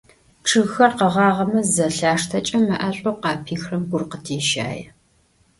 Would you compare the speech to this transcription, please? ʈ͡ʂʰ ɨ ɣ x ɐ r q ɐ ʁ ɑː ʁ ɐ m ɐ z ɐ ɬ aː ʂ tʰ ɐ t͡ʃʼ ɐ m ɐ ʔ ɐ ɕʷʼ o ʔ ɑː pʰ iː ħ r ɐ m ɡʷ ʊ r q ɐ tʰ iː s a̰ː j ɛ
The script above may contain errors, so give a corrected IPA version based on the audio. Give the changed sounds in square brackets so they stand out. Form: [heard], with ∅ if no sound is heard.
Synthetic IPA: ʈ͡ʂʰ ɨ ɣ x ɐ r q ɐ ʁ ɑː ʁ ɐ m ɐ z ɐ ɬ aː ʂ tʰ ɐ t͡ʃʼ ɐ m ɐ ʔ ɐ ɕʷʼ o [q] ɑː pʰ iː [x] r ɐ m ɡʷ ʊ r q [ə] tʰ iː [ʃ] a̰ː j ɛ